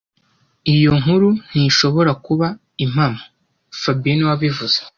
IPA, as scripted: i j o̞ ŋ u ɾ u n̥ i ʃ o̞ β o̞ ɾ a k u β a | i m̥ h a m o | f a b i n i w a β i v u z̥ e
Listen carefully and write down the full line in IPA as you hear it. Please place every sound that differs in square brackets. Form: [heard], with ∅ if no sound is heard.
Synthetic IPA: i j o̞ ŋ u ɾ u n̥ i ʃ o̞ β o̞ ɾ a k u β a | i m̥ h a m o | f a b i n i w a β i v u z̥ e